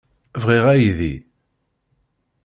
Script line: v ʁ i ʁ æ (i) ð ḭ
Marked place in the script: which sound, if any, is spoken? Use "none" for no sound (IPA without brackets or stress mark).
j